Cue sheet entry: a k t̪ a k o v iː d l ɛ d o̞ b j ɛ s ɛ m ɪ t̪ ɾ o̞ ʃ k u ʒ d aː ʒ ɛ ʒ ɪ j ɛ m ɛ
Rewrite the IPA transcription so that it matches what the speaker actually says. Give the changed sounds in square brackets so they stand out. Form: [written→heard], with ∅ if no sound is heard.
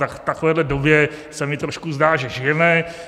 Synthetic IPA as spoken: a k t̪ a k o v [iː→ɛː] d l ɛ d o̞ b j ɛ s ɛ m ɪ t̪ ɾ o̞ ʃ k u [ʒ→z] d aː ʒ ɛ ʒ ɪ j ɛ m ɛ